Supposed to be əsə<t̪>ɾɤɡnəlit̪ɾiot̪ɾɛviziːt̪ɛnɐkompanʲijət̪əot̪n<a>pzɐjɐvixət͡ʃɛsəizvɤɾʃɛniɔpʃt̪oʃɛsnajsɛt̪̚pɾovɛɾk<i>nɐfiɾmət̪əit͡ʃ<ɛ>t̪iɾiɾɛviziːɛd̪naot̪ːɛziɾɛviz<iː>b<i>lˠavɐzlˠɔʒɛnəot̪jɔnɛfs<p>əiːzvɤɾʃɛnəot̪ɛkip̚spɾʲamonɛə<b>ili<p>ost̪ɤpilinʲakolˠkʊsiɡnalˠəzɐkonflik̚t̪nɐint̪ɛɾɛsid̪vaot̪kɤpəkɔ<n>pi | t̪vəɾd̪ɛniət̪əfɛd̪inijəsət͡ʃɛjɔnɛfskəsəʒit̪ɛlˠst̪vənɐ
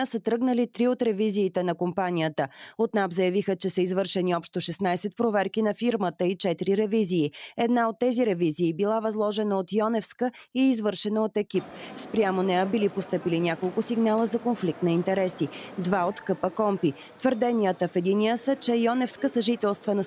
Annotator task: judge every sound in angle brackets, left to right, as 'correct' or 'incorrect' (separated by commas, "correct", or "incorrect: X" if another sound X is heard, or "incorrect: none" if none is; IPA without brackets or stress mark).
correct, correct, correct, correct, correct, correct, incorrect: k, correct, correct, incorrect: m